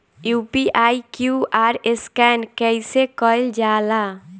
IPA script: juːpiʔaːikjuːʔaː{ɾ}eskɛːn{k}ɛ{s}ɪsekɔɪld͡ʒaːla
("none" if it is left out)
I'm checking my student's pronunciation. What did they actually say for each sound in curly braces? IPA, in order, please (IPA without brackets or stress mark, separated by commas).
ɾ, k, none